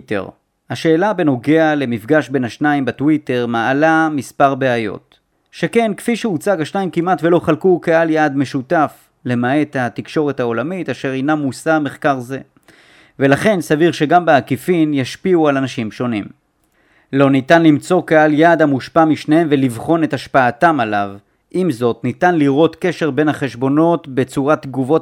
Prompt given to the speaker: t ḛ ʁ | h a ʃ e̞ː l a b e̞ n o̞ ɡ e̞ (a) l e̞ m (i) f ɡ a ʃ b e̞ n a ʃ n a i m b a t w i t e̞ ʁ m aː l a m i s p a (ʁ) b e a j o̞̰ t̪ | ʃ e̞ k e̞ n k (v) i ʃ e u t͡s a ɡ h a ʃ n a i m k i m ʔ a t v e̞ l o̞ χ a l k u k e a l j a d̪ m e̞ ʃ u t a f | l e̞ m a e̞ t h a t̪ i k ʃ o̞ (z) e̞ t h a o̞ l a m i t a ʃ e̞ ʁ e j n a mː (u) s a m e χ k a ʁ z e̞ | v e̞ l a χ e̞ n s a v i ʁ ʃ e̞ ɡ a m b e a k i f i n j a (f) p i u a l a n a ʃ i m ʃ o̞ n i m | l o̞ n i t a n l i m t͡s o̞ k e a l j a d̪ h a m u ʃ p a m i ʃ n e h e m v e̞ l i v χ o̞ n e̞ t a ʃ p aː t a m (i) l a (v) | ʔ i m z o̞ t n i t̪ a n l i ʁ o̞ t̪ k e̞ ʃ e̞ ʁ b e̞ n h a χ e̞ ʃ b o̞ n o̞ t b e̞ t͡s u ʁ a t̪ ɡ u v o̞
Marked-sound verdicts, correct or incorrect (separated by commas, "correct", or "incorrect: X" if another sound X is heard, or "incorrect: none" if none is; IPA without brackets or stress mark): correct, correct, correct, incorrect: f, incorrect: ʁ, correct, incorrect: ʃ, incorrect: a, correct